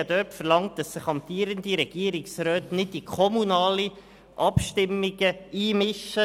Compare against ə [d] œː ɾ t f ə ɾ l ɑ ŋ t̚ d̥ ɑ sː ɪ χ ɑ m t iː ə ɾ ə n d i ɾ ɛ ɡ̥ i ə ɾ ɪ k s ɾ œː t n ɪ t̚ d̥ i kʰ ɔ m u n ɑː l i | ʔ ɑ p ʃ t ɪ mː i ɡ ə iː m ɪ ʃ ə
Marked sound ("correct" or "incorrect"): correct